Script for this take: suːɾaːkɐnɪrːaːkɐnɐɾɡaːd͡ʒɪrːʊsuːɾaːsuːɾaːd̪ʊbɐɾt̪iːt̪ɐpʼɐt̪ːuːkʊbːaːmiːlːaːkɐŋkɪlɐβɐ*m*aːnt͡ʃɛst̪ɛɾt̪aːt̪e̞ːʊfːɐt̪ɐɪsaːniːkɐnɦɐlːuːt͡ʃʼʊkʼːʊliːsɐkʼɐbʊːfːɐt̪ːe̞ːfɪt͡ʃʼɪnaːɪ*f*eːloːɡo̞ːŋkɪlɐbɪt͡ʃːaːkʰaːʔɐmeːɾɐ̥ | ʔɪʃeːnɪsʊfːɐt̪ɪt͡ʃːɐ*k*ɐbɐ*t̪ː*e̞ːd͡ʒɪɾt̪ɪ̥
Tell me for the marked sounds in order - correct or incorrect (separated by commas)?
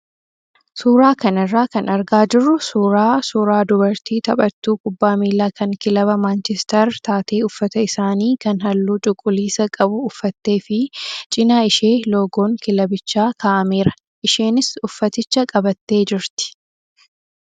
correct, incorrect, incorrect, correct